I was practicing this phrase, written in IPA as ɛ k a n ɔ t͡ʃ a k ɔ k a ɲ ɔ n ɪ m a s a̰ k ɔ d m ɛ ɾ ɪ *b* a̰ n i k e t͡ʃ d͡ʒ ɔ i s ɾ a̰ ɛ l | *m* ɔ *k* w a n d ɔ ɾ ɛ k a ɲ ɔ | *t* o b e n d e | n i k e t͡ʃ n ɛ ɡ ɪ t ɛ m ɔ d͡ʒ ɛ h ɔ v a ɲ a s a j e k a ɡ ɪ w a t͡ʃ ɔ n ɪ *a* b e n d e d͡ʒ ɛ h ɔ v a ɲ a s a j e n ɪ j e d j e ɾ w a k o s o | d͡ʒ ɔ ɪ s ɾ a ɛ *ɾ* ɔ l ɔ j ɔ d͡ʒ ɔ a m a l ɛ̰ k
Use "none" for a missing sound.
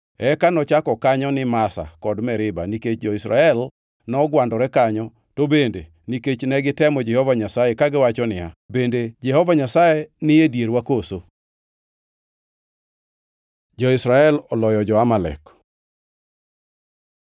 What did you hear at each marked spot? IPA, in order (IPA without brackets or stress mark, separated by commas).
b, n, ɡ, t, a, l